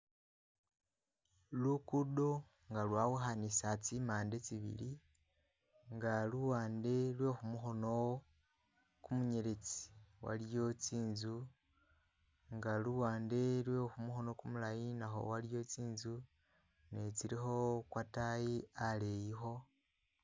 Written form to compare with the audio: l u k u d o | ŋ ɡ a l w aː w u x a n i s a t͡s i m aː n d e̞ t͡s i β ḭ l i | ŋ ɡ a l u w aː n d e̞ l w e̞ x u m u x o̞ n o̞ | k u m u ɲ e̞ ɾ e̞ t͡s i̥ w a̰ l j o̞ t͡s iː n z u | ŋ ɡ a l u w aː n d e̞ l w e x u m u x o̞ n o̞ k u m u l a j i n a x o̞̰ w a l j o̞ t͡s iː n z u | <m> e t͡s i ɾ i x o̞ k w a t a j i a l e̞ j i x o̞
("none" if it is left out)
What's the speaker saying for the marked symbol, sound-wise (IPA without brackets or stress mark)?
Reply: n